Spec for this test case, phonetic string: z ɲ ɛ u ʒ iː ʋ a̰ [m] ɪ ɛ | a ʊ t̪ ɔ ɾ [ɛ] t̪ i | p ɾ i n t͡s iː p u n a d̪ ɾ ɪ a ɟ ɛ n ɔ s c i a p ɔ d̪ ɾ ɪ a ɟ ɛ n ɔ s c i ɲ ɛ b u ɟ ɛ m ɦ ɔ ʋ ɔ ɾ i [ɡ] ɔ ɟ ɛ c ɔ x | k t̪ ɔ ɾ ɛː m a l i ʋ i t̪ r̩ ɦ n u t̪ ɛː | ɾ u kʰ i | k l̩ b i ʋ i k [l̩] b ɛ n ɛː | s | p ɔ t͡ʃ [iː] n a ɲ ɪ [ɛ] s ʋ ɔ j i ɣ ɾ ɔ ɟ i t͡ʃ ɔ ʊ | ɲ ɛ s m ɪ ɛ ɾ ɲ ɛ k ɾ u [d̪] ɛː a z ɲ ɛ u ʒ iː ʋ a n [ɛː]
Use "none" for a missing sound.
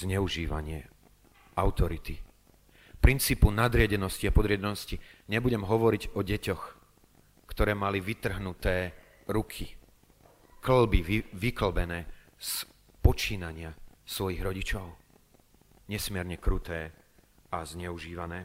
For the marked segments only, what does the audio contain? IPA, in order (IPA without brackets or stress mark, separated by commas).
ɲ, i, ɟ, l̩, iː, a, t̪, ɛː